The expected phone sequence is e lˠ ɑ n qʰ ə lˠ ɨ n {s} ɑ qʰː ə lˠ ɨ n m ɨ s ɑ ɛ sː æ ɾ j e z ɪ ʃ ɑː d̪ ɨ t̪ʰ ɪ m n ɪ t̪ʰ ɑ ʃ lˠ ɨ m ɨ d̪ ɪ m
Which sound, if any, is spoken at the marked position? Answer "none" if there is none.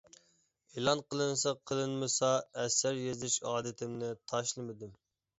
s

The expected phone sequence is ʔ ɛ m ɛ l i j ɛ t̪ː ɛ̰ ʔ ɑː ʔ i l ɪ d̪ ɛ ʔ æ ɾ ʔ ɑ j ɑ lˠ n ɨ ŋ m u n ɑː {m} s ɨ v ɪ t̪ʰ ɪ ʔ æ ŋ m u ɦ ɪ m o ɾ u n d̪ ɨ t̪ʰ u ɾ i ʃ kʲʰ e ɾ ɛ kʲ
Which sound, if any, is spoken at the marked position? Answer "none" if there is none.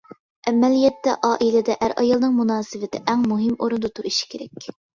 none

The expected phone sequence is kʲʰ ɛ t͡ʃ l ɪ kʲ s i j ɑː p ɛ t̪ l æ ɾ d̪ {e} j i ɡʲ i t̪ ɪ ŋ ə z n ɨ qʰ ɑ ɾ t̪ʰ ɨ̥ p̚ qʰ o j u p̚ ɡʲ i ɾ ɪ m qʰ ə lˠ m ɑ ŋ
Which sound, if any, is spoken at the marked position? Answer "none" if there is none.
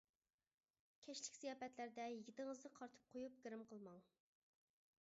ɛ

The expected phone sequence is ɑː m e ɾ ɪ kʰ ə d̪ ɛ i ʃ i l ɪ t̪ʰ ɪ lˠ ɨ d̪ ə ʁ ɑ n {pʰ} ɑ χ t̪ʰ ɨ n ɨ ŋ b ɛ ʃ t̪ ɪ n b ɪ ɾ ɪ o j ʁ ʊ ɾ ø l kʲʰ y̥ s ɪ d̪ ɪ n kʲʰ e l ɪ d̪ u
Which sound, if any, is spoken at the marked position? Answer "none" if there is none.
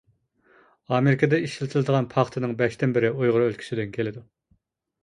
pʰ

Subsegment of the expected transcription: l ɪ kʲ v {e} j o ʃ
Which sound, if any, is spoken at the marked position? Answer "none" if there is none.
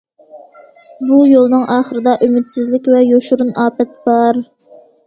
ɛ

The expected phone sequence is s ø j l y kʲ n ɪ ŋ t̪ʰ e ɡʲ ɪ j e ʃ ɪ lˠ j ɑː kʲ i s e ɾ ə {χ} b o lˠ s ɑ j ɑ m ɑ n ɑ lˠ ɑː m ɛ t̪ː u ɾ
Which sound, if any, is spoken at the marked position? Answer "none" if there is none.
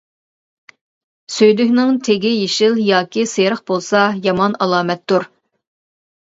χ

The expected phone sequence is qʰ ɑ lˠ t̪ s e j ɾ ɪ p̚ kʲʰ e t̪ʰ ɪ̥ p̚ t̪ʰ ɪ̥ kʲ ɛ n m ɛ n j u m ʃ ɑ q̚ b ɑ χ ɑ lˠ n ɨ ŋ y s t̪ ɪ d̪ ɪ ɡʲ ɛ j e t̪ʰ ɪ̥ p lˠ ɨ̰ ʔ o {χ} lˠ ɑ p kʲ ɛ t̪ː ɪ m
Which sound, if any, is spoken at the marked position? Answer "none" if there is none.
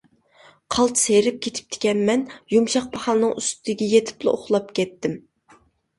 χ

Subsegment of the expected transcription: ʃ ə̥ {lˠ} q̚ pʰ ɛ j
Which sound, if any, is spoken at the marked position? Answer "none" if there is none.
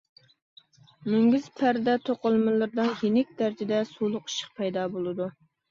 none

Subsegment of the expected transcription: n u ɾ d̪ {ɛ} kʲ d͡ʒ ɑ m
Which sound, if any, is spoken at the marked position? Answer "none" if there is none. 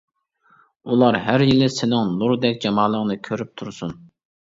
ɛ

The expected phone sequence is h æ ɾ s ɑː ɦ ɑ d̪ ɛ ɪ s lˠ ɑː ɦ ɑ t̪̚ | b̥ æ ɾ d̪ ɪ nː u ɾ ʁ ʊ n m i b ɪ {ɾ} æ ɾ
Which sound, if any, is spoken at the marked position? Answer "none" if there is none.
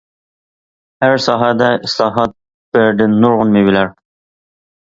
l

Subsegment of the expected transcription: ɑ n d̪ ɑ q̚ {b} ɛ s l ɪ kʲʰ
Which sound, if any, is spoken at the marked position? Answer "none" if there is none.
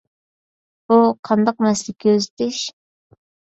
m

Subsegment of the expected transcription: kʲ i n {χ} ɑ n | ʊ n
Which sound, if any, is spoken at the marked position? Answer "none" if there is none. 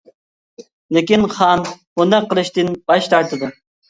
χ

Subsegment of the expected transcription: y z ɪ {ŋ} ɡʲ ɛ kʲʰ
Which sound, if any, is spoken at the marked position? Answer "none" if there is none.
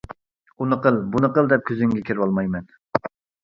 ŋ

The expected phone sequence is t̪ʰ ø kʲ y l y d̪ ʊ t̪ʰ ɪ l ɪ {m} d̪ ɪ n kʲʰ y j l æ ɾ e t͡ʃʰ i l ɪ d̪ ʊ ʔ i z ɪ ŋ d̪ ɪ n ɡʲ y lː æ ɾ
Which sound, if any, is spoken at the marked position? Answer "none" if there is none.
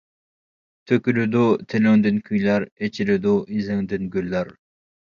ŋ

